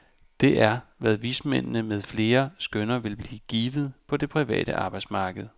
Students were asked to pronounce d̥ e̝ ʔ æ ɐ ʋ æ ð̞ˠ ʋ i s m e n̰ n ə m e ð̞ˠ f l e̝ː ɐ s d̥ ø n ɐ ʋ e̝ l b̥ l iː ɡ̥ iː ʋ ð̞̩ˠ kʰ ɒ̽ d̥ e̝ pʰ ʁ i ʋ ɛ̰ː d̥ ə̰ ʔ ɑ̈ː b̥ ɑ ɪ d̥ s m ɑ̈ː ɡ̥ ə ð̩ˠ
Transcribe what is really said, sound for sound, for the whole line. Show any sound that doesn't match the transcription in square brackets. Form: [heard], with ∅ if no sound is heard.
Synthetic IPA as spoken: d̥ e̝ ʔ æ ɐ ʋ æ ð̞ˠ ʋ i s m e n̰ n ə m e ð̞ˠ f l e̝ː ɐ s [ɡ̥] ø n ɐ ʋ e̝ l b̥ l iː ɡ̥ iː ʋ ð̞̩ˠ [pʰ] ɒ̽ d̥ e̝ pʰ ʁ i ʋ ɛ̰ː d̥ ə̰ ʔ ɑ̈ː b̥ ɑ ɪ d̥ s m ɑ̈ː ɡ̥ ə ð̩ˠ